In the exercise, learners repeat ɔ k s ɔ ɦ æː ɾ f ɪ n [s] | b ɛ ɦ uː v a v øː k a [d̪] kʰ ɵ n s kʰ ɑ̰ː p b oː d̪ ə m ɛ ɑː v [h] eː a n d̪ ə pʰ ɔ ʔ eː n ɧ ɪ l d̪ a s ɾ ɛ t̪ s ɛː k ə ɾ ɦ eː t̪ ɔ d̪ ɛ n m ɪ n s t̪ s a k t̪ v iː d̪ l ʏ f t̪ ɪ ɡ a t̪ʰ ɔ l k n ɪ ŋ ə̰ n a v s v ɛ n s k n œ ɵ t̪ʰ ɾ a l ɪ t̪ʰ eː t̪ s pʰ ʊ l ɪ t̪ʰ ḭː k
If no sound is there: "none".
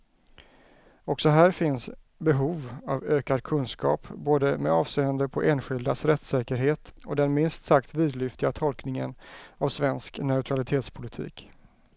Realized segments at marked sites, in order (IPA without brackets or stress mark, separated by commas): s, d̪, s